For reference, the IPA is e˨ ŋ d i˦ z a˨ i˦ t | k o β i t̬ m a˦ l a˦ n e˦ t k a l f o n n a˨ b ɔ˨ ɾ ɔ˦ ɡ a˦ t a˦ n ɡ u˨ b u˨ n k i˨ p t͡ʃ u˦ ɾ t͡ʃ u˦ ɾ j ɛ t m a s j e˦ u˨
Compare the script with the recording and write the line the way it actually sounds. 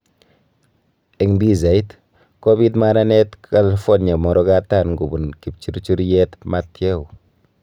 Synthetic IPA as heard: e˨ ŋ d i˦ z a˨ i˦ t | k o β i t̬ m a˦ ɾ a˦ n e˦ t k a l f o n ɲ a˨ m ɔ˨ ɾ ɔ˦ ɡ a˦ t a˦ n ɡ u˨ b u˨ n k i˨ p t͡ʃ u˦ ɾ t͡ʃ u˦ ɾ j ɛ t m a t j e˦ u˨